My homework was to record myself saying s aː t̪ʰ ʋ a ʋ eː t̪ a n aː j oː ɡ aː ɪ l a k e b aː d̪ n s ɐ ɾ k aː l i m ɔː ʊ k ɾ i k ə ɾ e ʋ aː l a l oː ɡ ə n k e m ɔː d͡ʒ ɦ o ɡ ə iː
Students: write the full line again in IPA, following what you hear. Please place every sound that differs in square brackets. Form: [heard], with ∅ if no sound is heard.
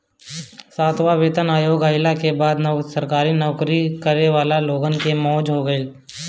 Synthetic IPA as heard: s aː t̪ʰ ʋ a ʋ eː t̪ [ə] n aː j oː ɡ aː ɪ l a k e b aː d̪ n s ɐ ɾ k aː [ɾ] i [n] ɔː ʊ k ɾ i k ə ɾ e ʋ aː l a l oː ɡ ə n k e m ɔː d͡ʒ ɦ o ɡ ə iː